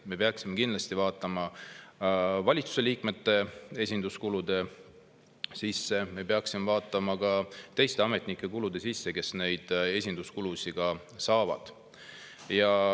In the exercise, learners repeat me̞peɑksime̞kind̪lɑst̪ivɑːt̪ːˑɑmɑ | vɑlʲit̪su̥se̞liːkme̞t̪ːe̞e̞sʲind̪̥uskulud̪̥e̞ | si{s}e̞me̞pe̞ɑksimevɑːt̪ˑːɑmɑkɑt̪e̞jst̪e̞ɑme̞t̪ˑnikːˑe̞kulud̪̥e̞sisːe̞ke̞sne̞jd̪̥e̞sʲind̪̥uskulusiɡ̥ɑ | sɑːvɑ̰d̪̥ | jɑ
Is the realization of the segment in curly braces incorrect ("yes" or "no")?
yes